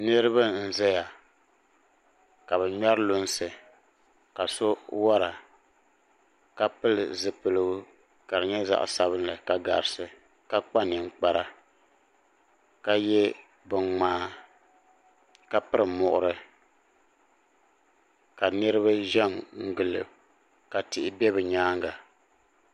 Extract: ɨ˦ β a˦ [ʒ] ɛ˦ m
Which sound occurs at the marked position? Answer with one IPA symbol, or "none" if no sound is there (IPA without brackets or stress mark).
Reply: ʒ